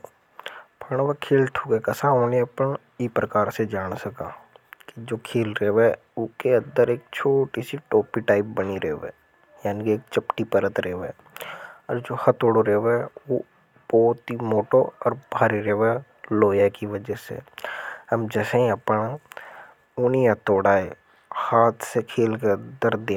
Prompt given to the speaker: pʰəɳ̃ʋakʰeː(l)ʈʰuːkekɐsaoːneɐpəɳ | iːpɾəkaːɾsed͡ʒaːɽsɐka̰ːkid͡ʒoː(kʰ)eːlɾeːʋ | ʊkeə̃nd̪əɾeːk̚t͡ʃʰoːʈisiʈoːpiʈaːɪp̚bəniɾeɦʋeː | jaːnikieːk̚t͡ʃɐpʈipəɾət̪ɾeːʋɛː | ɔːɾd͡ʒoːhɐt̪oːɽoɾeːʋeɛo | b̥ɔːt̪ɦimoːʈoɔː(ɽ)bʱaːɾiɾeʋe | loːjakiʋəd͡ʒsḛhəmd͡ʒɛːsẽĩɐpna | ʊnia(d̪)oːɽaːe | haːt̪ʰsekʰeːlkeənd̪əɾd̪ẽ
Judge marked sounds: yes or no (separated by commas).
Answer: yes, yes, no, no